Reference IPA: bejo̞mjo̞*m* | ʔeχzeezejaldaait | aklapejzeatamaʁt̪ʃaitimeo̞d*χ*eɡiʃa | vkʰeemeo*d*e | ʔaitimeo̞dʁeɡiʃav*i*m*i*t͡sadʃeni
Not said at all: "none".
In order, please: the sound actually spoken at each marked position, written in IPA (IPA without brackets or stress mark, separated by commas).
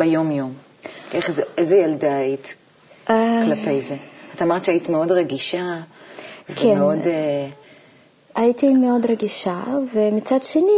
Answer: m, ʁ, d, e, i